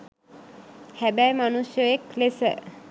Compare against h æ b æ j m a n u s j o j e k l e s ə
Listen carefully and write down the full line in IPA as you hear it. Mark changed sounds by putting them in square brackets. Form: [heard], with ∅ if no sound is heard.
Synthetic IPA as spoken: h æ b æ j m a n u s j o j e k l e s ə